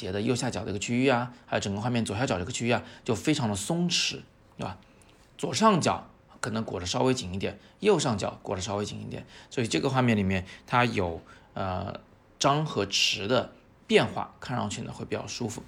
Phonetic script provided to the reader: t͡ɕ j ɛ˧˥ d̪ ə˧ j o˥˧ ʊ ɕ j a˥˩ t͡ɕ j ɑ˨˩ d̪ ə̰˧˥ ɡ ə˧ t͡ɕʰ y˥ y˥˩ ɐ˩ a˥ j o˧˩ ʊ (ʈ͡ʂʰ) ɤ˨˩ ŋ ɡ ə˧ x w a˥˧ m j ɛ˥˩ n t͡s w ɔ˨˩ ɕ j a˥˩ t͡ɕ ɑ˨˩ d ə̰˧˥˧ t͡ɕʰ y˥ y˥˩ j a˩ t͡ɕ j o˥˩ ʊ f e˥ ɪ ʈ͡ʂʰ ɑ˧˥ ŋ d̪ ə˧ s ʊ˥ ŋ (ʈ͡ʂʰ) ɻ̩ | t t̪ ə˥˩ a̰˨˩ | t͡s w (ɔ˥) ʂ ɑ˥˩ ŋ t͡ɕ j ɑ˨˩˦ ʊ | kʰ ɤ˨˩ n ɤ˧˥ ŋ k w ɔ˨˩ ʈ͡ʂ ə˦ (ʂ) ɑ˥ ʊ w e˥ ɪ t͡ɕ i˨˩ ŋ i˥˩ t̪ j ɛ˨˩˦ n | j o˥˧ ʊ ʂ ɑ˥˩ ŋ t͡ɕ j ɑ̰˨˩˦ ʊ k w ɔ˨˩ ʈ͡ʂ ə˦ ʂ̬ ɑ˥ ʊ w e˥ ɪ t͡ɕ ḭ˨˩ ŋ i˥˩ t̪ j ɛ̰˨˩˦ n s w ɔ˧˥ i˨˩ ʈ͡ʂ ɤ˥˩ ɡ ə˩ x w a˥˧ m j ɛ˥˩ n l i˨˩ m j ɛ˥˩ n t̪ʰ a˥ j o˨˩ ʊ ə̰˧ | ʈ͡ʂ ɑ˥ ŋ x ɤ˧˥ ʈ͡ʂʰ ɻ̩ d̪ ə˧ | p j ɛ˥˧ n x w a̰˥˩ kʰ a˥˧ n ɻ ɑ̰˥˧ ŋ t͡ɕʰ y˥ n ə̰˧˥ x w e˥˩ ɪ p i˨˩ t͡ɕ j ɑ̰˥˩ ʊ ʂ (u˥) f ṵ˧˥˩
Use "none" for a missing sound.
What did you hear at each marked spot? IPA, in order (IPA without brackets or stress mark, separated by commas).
ʈ͡ʂ, ʈ͡ʂʰ, ɔ˨˩, ʂ, u˥